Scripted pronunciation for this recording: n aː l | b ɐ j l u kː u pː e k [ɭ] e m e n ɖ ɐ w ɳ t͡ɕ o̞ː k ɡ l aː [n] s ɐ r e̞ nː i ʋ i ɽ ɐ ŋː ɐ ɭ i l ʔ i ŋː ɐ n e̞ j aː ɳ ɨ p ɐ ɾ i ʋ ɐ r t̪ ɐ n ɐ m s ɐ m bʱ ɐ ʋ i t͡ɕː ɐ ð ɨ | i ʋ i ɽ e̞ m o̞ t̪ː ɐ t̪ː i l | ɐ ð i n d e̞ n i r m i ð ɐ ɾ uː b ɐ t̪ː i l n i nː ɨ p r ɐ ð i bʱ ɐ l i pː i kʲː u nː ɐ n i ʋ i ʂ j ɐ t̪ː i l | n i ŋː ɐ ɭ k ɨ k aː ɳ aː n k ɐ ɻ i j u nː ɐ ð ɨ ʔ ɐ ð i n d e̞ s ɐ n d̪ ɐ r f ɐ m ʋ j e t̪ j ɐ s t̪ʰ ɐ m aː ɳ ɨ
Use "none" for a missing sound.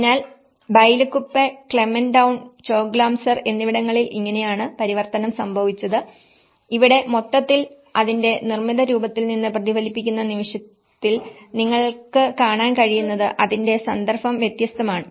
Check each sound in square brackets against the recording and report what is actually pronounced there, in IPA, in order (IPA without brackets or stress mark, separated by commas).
ɭ, m